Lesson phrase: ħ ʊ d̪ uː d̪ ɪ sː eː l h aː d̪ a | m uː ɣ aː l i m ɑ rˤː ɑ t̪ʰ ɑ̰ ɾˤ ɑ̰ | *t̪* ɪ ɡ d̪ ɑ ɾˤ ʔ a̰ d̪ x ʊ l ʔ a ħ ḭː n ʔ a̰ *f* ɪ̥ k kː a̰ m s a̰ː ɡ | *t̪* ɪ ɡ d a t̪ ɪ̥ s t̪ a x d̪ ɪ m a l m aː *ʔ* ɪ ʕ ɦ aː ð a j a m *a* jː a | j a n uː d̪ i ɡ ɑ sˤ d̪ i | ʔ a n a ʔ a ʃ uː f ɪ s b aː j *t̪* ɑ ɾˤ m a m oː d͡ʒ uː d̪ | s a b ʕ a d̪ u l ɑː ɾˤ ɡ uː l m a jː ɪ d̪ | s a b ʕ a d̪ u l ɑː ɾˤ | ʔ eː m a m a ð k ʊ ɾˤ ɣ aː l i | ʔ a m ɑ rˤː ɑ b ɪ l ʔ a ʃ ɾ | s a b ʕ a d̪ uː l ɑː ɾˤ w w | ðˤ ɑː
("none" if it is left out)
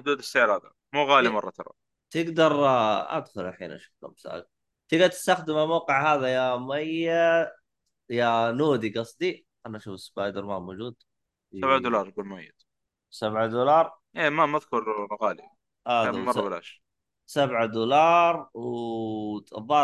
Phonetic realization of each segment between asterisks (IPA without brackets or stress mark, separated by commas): t̪, ʃ, t̪, q, a, d̪